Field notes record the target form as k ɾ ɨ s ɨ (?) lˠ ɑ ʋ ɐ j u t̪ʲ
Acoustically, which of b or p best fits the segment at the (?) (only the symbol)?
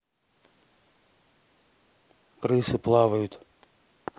p